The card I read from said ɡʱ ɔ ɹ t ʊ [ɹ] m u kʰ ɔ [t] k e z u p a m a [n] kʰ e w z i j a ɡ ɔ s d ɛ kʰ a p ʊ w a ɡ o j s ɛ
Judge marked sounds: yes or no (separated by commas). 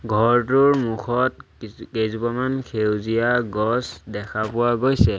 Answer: yes, yes, yes